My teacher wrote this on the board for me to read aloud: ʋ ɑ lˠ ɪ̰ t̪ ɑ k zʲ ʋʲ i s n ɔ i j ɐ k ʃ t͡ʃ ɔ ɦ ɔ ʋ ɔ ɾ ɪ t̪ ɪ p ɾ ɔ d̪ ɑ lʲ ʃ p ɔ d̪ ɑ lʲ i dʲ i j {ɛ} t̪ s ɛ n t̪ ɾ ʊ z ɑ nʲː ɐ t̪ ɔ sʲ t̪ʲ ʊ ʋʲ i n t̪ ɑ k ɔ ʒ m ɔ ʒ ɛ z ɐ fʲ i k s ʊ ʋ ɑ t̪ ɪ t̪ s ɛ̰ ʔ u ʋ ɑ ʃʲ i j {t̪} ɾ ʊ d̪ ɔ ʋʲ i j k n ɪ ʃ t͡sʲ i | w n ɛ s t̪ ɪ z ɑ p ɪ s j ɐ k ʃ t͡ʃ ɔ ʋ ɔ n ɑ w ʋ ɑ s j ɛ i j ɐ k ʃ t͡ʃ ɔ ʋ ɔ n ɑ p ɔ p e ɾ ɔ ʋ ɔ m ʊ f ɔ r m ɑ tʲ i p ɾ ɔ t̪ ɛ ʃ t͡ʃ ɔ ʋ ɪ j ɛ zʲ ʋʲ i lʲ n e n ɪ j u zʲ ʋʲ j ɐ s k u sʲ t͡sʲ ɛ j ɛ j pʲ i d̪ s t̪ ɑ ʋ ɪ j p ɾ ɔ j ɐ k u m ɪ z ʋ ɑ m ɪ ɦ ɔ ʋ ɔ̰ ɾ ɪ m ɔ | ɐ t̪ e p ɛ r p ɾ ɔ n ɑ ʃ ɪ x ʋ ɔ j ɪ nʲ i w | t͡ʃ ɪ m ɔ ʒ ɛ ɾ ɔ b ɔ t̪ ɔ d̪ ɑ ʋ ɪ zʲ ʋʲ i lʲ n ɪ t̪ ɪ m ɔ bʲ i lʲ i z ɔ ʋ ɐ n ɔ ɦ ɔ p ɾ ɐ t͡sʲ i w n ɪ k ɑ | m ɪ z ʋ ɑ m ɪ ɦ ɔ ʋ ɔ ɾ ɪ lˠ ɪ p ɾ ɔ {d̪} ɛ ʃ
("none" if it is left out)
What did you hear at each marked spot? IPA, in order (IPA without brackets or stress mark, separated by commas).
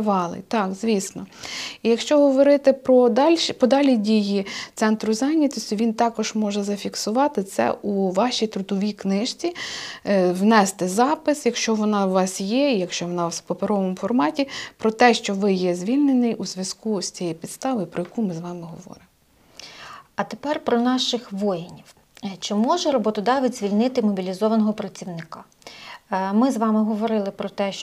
i, t̪, t̪